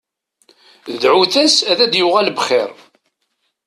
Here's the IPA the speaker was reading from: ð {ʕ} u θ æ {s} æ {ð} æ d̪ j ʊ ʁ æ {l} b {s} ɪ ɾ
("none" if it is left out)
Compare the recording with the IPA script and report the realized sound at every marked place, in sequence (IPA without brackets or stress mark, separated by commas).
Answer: ʕ, s, ð, l, χ